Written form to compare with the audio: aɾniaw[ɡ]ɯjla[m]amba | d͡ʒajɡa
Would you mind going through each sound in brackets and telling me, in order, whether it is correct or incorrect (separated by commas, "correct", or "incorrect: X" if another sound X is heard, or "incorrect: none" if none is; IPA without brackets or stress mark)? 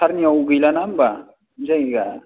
correct, incorrect: n